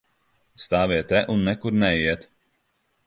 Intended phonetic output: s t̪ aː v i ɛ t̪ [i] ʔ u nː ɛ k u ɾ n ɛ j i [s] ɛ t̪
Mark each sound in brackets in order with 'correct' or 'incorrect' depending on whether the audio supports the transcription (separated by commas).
incorrect, incorrect